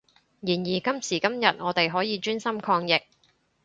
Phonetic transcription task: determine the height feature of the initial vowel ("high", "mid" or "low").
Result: high